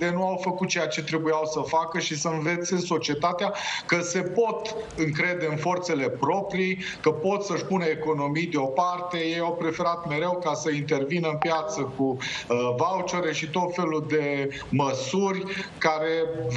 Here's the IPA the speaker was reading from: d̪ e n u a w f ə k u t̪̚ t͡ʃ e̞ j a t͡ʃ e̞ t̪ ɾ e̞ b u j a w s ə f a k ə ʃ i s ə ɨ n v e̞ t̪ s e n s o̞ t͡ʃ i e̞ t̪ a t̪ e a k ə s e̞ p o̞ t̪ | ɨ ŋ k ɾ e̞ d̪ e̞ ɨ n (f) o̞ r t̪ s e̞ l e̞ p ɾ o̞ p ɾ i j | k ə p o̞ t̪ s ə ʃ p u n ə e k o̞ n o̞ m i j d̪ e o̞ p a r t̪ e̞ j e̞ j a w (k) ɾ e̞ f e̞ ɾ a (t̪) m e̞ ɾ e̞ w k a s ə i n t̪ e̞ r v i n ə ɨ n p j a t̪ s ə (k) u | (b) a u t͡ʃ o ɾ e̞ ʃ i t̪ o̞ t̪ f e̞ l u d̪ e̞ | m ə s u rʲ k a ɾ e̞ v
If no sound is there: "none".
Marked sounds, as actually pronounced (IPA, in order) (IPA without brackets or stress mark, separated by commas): f, p, t̪, k, v